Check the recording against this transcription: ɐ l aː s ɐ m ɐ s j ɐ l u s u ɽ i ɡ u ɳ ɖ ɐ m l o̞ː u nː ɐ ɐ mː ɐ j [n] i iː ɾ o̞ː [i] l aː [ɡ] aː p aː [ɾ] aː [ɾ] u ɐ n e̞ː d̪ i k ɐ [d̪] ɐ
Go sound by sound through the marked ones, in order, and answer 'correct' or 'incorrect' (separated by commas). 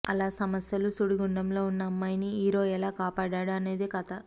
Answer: correct, incorrect, incorrect, incorrect, incorrect, incorrect